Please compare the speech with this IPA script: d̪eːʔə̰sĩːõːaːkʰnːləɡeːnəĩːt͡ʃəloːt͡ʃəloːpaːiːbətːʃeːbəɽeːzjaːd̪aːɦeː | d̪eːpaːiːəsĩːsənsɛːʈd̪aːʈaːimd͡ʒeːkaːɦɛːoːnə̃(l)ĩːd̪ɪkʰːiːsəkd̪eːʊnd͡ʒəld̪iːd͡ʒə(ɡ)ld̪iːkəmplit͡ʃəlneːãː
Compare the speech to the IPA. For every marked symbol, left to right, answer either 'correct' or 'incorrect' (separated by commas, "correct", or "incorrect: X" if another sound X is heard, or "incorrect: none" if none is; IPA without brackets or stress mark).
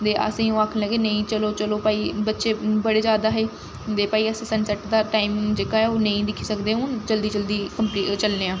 incorrect: none, incorrect: none